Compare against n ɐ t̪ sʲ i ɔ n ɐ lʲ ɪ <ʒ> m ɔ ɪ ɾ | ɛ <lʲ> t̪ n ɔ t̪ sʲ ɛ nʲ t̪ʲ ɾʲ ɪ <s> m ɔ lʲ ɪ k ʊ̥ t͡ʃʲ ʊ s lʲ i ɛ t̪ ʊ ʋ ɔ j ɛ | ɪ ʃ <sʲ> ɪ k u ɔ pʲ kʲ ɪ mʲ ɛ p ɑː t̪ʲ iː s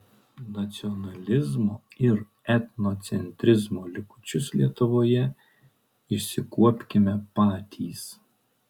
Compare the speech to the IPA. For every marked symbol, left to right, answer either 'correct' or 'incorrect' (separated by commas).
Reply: incorrect, incorrect, incorrect, correct